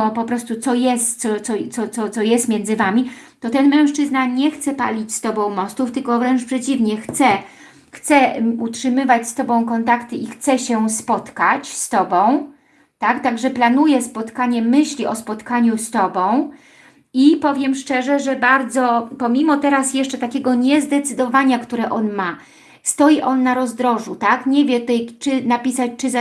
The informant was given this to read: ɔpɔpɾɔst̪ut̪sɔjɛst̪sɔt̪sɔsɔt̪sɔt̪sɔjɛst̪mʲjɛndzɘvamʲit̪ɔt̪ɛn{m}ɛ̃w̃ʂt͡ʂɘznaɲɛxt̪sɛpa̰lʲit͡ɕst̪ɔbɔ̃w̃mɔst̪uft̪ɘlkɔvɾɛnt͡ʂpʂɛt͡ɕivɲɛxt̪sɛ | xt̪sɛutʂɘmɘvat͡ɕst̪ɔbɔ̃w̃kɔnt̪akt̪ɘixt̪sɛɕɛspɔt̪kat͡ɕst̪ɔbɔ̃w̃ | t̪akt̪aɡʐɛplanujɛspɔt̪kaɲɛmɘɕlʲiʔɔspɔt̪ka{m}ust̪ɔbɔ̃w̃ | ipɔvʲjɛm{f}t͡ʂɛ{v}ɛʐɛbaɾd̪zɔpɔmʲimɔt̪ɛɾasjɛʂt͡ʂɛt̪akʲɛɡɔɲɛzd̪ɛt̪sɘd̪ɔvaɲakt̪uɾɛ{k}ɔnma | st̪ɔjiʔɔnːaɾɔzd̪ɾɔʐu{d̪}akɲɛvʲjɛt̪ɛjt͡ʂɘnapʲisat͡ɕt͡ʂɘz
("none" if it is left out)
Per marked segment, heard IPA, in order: m, ɲ, ʂ, ʐ, ʔ, t̪

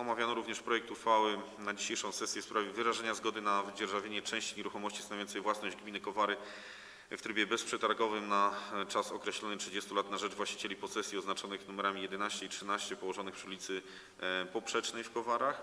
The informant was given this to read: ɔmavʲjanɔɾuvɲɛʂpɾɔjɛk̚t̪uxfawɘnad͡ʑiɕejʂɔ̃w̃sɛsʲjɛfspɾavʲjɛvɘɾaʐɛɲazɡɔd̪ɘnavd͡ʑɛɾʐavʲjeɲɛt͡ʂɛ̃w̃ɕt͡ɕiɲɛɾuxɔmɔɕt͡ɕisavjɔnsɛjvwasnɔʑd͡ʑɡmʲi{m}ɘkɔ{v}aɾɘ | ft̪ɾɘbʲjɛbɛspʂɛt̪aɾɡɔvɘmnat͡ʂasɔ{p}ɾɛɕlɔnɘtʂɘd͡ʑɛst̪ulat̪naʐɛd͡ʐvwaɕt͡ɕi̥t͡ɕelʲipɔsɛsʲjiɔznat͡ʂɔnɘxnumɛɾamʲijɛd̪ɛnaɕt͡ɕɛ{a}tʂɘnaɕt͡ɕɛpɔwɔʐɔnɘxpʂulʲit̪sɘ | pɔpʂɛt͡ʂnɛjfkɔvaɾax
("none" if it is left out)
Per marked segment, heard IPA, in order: n, v, k, i

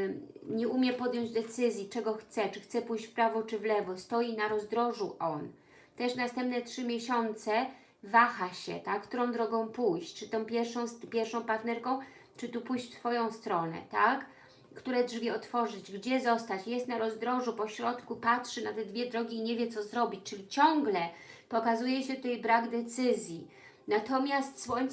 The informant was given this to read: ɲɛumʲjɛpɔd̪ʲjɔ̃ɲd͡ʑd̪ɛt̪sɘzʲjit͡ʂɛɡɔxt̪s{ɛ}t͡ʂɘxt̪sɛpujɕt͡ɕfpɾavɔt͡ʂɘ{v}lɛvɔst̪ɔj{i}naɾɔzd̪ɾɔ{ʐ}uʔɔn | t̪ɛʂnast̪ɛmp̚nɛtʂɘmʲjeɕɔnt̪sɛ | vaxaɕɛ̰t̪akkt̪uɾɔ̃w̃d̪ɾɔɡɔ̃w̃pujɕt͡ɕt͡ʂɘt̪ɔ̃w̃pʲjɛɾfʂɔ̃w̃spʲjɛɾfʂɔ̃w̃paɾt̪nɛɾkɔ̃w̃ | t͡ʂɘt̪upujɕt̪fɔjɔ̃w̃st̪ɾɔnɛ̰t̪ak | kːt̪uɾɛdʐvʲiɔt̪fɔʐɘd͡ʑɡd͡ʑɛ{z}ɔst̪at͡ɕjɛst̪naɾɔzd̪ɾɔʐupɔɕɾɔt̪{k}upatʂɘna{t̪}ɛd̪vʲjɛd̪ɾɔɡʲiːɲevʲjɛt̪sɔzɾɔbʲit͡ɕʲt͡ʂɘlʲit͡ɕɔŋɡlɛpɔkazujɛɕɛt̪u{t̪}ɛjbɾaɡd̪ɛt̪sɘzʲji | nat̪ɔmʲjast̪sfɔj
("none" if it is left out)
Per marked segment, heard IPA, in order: ɛ, v, i, ʐ, z, k, t̪, t̪

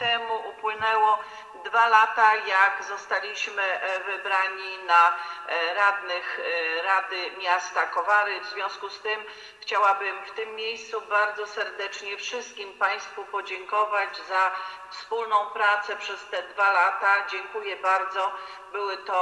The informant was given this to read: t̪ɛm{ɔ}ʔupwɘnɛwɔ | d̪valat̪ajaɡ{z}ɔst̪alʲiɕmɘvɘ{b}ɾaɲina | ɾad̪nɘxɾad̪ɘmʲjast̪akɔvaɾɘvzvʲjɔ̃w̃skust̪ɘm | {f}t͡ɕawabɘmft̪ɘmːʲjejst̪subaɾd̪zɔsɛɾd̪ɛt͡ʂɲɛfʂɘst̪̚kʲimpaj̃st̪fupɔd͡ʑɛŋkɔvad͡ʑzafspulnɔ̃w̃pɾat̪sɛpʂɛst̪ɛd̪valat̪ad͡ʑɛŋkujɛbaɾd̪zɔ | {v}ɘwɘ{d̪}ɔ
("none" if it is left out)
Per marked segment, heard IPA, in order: u, z, b, x, b, t̪

